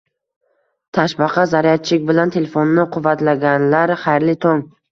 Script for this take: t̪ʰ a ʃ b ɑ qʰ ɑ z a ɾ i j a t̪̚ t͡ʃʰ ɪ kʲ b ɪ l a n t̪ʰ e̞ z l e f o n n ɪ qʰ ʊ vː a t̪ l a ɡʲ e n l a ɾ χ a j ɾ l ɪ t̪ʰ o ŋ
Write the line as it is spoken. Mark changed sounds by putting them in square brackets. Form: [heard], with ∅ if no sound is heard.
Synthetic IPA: t̪ʰ a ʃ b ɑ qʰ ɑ z a ɾ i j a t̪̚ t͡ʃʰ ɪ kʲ b ɪ l a n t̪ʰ e̞ [∅] l e f o n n ɪ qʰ ʊ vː a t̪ l a ɡʲ [a] n l a ɾ χ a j ɾ l ɪ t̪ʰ o ŋ